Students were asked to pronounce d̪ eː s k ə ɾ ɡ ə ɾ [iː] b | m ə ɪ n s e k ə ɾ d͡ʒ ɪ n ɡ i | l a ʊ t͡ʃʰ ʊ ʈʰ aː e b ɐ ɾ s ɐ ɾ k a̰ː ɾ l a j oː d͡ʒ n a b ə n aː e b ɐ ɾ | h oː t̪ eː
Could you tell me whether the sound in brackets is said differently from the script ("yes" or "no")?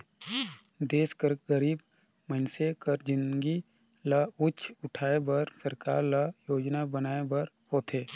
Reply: no